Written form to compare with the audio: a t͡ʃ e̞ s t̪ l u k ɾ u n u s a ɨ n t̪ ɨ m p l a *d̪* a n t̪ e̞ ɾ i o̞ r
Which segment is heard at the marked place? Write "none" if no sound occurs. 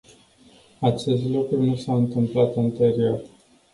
t̪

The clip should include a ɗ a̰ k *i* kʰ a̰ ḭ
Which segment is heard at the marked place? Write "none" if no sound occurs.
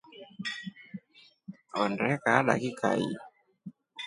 i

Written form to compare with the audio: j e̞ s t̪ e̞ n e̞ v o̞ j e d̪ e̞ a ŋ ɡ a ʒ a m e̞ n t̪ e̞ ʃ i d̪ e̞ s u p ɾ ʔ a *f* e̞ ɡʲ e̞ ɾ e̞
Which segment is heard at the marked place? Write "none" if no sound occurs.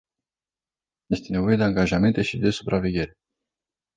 v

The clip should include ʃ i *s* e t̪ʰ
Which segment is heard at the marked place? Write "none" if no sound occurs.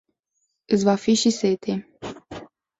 s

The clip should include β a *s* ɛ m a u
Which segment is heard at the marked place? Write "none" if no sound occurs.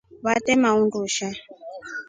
t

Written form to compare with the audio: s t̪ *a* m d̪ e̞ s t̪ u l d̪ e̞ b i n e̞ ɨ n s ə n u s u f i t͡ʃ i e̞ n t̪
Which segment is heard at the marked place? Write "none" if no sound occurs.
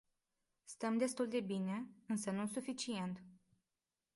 ə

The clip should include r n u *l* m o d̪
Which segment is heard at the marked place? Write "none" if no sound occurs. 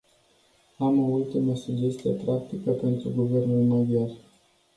l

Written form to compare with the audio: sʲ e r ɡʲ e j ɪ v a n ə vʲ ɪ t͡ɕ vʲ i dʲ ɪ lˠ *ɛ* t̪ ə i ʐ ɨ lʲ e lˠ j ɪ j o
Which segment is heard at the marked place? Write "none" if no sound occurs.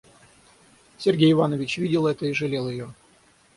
ɛ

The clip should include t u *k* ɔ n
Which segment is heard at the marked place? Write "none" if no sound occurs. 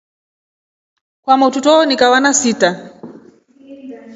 t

